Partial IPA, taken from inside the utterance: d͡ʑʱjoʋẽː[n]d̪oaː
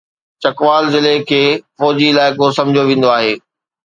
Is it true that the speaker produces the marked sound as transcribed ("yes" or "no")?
yes